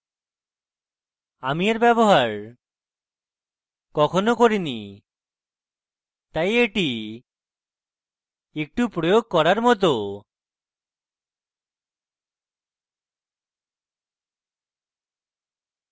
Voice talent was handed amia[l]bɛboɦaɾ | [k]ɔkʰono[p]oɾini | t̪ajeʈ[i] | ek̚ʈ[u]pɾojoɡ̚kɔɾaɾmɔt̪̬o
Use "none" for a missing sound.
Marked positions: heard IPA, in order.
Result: ɾ, k, k, i, u

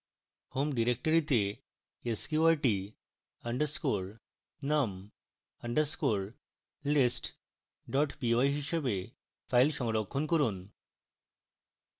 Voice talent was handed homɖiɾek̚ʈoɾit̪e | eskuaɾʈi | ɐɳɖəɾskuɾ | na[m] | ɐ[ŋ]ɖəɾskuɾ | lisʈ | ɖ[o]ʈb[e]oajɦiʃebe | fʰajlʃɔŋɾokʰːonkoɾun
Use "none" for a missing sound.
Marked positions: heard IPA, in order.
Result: m, ɳ, ɔ, i

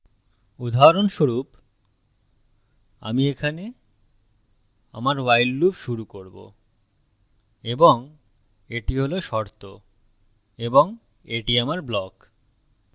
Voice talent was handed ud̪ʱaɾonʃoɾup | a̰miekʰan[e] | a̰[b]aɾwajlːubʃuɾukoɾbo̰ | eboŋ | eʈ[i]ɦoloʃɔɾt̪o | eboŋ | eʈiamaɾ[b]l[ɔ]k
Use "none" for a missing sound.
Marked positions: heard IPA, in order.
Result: e, m, i, b, ɔ

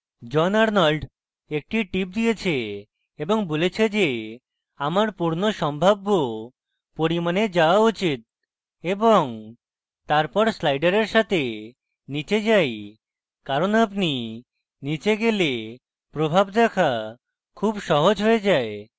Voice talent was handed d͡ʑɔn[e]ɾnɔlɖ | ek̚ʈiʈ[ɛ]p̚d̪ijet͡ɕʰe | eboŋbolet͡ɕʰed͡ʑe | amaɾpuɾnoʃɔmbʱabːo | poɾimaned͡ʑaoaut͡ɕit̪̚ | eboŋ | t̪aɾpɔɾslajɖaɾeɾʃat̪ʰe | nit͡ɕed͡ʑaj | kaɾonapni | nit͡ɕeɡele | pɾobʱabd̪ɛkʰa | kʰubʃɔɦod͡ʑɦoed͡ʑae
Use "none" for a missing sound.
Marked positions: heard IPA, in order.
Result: a, i

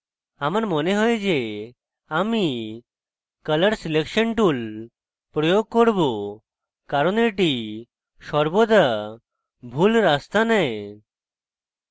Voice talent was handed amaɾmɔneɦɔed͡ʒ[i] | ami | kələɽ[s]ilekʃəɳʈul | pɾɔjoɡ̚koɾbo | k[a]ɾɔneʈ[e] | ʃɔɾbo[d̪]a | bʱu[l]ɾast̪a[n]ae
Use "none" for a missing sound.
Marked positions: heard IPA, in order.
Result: e, s, a, i, d̪, l, n

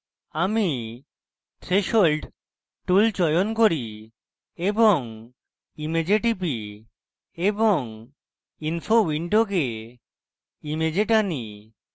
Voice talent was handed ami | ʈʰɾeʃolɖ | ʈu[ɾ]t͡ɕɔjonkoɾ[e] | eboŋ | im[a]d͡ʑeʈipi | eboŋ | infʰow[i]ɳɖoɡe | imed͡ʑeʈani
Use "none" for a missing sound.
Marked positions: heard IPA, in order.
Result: l, i, e, i

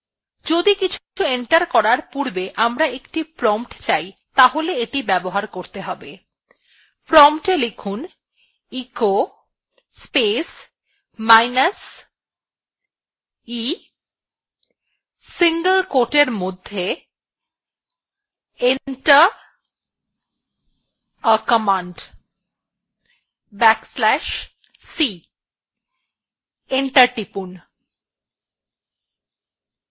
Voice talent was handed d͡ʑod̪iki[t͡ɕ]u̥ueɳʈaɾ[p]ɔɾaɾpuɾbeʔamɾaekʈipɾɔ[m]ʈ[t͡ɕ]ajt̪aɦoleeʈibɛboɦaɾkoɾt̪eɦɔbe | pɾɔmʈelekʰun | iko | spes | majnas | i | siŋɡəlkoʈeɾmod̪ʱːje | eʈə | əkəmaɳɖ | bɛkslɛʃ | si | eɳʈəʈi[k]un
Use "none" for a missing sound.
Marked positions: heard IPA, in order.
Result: t͡ɕʰ, k, m, t͡ɕ, p

